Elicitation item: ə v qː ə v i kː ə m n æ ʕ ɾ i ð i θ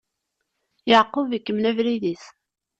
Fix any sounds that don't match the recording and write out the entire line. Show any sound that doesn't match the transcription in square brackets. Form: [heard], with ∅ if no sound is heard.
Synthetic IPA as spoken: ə [ʕ] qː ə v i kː ə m n æ [v] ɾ i ð i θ